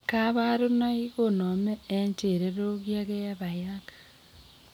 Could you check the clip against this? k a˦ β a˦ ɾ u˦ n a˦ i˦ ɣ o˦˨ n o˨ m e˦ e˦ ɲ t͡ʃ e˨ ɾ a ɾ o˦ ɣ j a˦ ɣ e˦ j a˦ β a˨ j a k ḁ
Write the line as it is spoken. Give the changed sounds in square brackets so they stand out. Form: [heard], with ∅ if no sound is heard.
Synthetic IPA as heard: k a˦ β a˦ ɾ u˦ n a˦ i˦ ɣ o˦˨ n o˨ m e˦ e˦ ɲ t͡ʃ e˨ ɾ [e] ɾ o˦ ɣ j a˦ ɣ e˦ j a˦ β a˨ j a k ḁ